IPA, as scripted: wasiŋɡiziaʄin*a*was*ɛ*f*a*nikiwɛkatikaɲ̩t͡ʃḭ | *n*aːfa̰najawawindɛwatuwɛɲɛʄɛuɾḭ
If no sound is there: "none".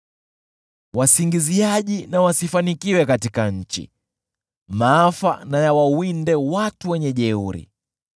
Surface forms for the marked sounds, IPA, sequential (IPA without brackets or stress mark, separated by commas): a, i, a, m